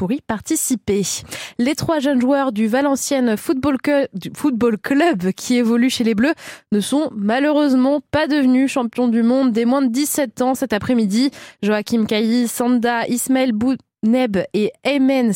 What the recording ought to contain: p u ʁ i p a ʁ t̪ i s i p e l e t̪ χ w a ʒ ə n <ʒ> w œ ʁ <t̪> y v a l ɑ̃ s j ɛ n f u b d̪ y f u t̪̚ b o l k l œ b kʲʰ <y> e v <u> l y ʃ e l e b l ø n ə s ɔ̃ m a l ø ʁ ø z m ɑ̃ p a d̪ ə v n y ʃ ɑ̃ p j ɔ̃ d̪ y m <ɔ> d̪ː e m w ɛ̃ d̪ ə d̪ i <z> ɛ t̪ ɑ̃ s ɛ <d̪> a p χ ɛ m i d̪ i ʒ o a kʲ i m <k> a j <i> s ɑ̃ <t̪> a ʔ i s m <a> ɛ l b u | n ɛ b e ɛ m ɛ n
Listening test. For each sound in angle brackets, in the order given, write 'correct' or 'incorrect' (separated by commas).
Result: correct, incorrect, incorrect, incorrect, incorrect, incorrect, incorrect, correct, correct, incorrect, correct